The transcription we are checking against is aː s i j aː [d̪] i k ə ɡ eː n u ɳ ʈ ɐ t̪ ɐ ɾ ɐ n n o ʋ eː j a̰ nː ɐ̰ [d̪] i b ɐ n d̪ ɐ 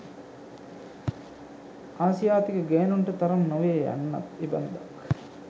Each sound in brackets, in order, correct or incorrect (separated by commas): incorrect, incorrect